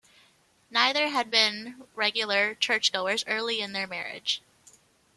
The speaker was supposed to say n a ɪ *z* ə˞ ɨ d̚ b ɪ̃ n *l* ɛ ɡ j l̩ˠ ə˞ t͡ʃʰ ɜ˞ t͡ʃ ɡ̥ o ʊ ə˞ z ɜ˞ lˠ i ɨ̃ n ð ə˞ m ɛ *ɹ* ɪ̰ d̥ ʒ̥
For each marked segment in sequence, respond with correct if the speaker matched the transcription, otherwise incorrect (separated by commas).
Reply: incorrect, incorrect, correct